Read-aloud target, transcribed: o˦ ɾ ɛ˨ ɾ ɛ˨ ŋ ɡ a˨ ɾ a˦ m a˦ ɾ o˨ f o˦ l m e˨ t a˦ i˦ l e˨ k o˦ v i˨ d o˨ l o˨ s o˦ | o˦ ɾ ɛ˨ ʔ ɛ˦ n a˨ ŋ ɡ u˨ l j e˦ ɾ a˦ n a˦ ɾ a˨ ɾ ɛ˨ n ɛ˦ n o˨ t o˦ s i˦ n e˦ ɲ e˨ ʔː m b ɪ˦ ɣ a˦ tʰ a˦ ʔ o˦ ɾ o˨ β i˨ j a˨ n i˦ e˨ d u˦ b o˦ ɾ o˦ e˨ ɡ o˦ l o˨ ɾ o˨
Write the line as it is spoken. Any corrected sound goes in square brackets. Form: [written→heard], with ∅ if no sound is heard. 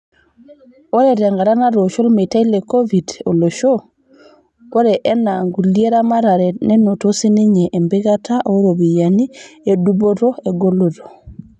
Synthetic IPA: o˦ ɾ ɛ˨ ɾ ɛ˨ ŋ ɡ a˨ ɾ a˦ [m→n] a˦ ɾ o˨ [f→ʃ] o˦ l m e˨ t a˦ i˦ l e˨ k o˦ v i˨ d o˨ l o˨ [s→ʃ] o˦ | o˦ ɾ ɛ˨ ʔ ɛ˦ n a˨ ŋ ɡ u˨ l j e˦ ɾ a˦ [n→m] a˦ ɾ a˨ ɾ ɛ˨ n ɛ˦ n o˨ t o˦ s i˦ n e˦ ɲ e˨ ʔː m b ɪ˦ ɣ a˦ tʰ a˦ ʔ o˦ ɾ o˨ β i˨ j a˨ n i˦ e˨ d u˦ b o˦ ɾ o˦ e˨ ɡ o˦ l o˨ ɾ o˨